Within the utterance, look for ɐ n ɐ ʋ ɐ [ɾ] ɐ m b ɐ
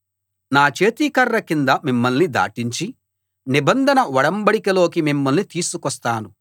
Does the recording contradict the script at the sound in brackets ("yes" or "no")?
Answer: yes